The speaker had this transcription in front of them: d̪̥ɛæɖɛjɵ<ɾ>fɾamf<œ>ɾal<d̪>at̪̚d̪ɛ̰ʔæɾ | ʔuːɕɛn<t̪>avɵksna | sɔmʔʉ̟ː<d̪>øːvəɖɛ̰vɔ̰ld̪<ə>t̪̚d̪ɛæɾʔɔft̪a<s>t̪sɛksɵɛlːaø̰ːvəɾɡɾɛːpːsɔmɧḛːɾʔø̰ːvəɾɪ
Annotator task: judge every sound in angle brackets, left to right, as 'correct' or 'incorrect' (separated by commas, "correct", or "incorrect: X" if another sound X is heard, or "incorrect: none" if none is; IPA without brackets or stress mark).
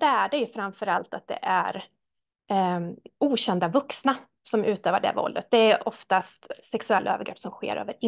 incorrect: none, correct, incorrect: t̪, incorrect: d̪, incorrect: t̪, correct, correct